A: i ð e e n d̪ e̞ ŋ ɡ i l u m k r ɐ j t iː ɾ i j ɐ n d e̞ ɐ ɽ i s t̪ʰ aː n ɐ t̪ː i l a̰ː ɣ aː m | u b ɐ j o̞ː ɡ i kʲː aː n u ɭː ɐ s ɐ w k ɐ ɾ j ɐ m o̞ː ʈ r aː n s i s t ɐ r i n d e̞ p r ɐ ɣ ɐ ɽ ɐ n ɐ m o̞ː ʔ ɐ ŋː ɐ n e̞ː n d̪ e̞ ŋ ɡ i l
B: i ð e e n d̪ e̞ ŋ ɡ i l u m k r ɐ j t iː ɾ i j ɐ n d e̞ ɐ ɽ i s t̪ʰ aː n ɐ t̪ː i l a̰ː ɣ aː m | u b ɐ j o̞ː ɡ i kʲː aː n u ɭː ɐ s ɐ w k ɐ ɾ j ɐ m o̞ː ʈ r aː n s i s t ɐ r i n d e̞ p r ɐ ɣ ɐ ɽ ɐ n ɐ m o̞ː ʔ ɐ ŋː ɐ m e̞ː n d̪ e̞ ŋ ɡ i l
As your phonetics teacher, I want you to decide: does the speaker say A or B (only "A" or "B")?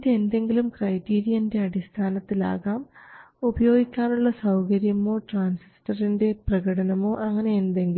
A